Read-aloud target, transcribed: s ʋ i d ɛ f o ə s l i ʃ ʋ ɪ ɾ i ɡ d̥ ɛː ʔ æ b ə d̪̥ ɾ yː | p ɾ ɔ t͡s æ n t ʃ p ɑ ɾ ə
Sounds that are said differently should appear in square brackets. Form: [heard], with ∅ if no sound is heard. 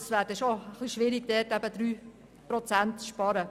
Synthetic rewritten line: s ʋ [æ] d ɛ [ʃ] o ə [χ] l i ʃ ʋ ɪ ɾ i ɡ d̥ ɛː [t] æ b ə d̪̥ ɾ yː | p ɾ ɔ t͡s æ n t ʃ p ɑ ɾ ə